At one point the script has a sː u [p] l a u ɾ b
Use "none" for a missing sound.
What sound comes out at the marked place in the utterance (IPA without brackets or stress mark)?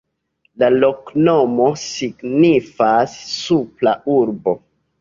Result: p